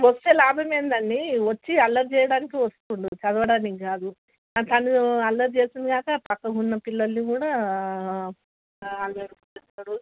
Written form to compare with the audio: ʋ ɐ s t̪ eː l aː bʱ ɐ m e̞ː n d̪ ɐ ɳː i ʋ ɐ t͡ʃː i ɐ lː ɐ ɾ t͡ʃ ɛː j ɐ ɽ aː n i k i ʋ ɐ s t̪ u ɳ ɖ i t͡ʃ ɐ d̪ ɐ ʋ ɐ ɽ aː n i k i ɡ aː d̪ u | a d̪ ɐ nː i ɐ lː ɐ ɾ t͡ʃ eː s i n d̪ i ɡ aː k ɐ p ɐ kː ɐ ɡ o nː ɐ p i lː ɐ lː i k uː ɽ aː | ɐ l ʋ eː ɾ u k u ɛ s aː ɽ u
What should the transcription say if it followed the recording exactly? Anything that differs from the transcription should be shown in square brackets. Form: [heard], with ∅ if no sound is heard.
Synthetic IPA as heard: ʋ ɐ s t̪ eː l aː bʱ ɐ m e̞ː n d̪ ɐ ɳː i ʋ ɐ t͡ʃː i ɐ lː ɐ ɾ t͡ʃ ɛː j ɐ ɽ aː n i k i ʋ ɐ s t̪ u ɳ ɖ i t͡ʃ ɐ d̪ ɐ ʋ ɐ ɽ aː n i k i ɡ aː d̪ u | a [t̪] ɐ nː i ɐ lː ɐ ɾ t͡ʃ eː s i n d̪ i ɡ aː k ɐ p ɐ kː ɐ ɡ [u] nː ɐ p i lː ɐ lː i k uː ɽ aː | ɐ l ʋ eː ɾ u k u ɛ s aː ɽ u

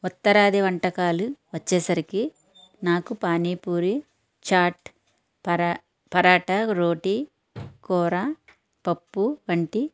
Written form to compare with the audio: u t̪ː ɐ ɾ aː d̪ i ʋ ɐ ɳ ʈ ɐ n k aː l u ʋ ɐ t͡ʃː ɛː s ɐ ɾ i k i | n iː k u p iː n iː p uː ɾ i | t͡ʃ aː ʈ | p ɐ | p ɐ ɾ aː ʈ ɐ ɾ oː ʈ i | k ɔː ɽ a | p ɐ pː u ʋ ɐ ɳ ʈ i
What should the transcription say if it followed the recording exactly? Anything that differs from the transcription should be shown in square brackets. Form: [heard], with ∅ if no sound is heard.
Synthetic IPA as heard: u t̪ː ɐ ɾ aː d̪ i ʋ ɐ ɳ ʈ ɐ [∅] k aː l u ʋ ɐ t͡ʃː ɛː s ɐ ɾ i k i | n [aː] k u p [aː] n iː p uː ɾ i | t͡ʃ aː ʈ | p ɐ | p ɐ ɾ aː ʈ ɐ ɾ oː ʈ i | k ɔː [ɾ] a | p ɐ pː u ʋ ɐ ɳ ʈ i

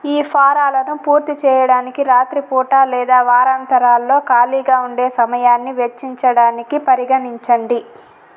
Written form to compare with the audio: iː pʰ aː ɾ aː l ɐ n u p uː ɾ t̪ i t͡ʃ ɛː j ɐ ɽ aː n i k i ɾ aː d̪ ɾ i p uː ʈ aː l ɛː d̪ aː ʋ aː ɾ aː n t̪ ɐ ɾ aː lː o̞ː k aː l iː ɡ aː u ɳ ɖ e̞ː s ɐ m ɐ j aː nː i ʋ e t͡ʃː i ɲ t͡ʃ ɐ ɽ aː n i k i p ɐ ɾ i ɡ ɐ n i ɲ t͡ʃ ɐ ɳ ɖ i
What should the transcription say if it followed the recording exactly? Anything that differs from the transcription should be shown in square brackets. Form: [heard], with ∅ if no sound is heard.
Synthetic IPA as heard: iː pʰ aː ɾ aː l ɐ n u p uː ɾ t̪ i t͡ʃ ɛː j ɐ ɽ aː n i k i ɾ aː [t̪] ɾ i p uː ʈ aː l ɛː d̪ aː ʋ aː ɾ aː n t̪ ɐ ɾ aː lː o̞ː k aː l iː ɡ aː u ɳ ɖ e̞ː s ɐ m ɐ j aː nː i ʋ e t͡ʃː i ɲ t͡ʃ ɐ ɽ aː n i k i p ɐ ɾ i ɡ ɐ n i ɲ t͡ʃ ɐ ɳ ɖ i

